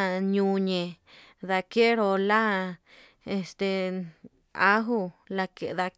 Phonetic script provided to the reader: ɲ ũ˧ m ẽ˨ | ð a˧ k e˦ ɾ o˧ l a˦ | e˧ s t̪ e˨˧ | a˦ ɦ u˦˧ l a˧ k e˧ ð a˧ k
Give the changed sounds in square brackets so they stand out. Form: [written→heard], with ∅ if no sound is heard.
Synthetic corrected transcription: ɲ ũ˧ [m→ɲ] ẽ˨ | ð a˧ k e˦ ɾ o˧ l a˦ | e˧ s t̪ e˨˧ | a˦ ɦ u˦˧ l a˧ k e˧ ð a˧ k